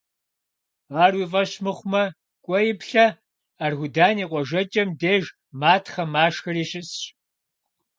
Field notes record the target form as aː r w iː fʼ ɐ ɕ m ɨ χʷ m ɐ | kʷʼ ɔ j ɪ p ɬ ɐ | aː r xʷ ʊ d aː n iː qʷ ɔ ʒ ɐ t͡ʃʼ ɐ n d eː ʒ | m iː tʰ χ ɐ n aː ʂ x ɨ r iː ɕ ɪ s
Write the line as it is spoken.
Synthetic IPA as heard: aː r w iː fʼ ɐ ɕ m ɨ χʷ m ɐ | kʷʼ ɔ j ɪ p ɬ ɐ | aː r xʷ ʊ d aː n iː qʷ ɔ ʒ ɐ t͡ʃʼ ɐ m d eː ʒ | m aː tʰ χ ɐ m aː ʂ x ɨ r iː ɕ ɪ s